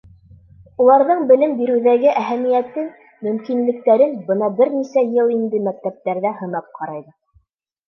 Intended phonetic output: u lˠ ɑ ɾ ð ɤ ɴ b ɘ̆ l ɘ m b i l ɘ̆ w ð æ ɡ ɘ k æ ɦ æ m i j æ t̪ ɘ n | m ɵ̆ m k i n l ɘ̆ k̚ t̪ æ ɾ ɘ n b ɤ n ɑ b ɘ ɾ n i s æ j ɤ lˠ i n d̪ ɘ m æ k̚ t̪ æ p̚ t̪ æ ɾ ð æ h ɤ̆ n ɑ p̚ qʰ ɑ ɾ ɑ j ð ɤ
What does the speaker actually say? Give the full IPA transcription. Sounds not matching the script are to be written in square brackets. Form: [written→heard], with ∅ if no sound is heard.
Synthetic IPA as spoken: u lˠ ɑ ɾ ð ɤ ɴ b ɘ̆ l ɘ m b i [l→ɾ] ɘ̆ w ð æ ɡ ɘ [k→ʔ] æ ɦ æ m i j æ t̪ ɘ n | m ɵ̆ m k i n l ɘ̆ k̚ t̪ æ ɾ ɘ n b ɤ n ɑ b ɘ ɾ n i s æ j ɤ lˠ i n d̪ ɘ m æ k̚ t̪ æ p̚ t̪ æ ɾ ð æ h ɤ̆ n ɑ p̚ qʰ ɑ ɾ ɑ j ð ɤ